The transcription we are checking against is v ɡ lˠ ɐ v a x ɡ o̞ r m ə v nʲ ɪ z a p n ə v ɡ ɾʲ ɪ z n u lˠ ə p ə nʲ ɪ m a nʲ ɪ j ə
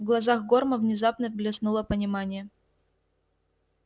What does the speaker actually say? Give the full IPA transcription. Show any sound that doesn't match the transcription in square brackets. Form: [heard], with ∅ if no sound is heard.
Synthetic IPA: v ɡ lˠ ɐ [z] a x ɡ o̞ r m ə v nʲ ɪ z a p n ə v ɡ [lʲ] ɪ [s] n u lˠ ə p ə nʲ ɪ m a nʲ ɪ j ə